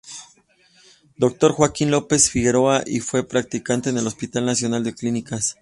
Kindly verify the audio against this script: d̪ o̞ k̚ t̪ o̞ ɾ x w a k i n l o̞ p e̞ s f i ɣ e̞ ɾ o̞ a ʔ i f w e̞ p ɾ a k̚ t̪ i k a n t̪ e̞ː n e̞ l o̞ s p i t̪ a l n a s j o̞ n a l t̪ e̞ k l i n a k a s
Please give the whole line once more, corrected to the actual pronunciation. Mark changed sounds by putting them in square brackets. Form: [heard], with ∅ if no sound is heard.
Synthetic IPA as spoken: d̪ o̞ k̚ t̪ o̞ ɾ x w a k i n l o̞ p e̞ s f i ɣ e̞ ɾ o̞ a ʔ i f w e̞ p ɾ a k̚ t̪ i k a n t̪ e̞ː n e̞ l o̞ s p i t̪ a l n a s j o̞ n a l [d̪] e̞ k l i n [i] k a s

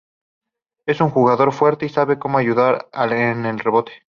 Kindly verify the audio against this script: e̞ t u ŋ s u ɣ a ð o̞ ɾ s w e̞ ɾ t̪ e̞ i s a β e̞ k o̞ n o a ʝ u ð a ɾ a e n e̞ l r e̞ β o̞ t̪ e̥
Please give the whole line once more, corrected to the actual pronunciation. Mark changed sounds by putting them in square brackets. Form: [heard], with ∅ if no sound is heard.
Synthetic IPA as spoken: e̞ [s] u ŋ [x] u ɣ a ð o̞ ɾ [f] w e̞ ɾ t̪ e̞ i s a β e̞ k o̞ [m] o a ʝ u ð a ɾ a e n e̞ l r e̞ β o̞ t̪ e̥

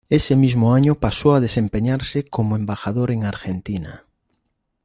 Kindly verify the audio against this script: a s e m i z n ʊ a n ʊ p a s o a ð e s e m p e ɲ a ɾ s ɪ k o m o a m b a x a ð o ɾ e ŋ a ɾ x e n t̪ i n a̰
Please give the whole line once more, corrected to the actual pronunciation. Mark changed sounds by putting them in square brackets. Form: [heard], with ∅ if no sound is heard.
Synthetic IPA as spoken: [e] s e m i z [m] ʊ a [ɲ] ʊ p a s o a ð e s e m p e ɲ a ɾ s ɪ k o m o [e] m b a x a ð o ɾ e ŋ a ɾ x e n t̪ i n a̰

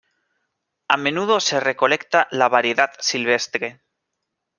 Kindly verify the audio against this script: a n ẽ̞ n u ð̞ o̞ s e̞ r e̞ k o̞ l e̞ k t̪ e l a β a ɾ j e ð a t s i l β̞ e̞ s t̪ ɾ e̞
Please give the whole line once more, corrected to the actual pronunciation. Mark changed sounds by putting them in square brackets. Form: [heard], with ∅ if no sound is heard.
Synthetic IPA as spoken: a [m] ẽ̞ n u ð̞ o̞ s e̞ r e̞ k o̞ l e̞ k t̪ [a] l a β a ɾ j e ð a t s i l β̞ e̞ s t̪ ɾ e̞

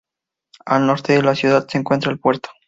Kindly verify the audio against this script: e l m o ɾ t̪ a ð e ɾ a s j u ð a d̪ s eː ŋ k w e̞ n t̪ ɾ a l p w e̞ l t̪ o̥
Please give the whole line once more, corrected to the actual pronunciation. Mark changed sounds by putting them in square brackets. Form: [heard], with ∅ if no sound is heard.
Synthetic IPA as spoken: [a] l [n] o ɾ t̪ [e] ð e [l] a s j u ð a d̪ s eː ŋ k w e̞ n t̪ ɾ a l p w e̞ [ɾ] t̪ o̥

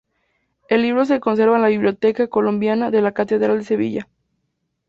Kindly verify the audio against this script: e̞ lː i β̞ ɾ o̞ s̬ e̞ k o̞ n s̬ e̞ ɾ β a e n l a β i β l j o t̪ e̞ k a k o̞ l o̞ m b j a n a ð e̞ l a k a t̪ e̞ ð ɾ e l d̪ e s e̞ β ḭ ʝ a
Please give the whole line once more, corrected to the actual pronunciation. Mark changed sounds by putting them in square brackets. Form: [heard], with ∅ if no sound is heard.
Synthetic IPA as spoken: e̞ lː i β̞ ɾ o̞ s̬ e̞ k o̞ n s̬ e̞ ɾ β a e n l a β i β l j o t̪ e̞ k a k o̞ l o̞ m b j a n a ð e̞ l a k a t̪ e̞ ð ɾ [a] l d̪ e s e̞ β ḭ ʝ a

